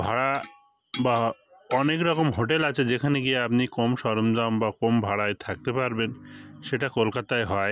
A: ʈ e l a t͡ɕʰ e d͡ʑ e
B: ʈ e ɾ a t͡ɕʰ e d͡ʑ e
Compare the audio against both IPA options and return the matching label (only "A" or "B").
A